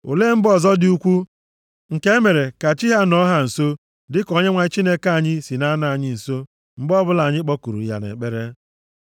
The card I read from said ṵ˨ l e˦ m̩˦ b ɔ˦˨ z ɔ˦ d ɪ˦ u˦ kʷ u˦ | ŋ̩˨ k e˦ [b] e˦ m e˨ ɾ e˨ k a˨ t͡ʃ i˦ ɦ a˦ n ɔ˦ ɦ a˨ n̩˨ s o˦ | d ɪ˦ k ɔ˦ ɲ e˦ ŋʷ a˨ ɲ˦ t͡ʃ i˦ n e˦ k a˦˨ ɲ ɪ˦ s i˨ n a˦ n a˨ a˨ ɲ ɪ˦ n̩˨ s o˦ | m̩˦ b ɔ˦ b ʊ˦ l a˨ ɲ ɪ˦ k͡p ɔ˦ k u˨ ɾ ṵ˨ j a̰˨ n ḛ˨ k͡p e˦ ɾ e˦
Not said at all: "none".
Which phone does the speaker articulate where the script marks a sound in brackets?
none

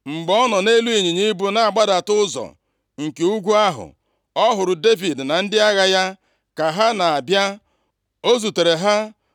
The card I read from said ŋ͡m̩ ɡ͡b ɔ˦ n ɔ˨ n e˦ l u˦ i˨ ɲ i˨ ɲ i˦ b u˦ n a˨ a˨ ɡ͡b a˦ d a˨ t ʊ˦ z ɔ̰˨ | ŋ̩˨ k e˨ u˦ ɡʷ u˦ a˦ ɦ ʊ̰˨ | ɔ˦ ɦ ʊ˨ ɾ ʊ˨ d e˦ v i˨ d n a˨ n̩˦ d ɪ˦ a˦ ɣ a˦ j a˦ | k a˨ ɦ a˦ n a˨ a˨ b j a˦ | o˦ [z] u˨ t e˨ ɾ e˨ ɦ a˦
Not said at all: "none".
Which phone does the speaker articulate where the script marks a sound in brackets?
z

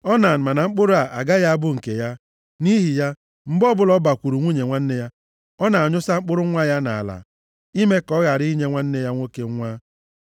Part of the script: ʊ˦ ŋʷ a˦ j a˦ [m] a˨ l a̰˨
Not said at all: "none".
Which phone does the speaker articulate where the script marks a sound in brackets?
n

